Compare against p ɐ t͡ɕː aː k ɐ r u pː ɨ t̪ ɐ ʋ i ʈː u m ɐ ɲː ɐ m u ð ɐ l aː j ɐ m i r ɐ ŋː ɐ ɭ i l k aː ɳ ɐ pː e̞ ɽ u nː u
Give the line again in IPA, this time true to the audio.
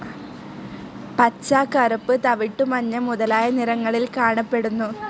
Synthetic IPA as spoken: p ɐ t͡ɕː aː k ɐ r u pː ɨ t̪ ɐ ʋ i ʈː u m ɐ ɲː ɐ m u ð ɐ l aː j ɐ n i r ɐ ŋː ɐ ɭ i l k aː ɳ ɐ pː e̞ ɽ u nː u